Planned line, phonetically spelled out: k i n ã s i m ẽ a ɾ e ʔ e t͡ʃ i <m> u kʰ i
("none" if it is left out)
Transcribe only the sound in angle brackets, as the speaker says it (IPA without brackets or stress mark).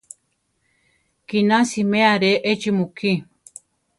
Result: m